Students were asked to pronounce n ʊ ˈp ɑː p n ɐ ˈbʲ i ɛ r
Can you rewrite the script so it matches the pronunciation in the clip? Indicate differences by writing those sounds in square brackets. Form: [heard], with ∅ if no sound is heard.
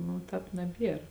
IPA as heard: n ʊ [ˈt] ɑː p n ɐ ˈbʲ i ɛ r